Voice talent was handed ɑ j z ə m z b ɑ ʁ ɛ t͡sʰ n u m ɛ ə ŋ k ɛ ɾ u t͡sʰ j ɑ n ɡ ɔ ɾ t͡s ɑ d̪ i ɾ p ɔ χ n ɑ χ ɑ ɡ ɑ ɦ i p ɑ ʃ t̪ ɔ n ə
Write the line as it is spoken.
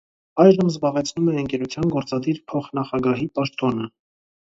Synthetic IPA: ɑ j ʒ ə m z b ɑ ʁ ɛ t͡sʰ n u m ɛ ə ŋ k ɛ ɾ u t͡sʰ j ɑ n ɡ ɔ ɾ t͡s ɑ d̪ i ɾ pʰ ɔ χ n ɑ χ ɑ ɡ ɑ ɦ i p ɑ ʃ t̪ ɔ n ə